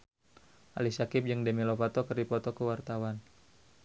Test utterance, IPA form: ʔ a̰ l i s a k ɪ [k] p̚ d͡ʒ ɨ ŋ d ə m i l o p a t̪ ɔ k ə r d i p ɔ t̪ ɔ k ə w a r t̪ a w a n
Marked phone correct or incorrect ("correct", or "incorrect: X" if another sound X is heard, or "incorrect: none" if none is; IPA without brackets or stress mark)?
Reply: incorrect: none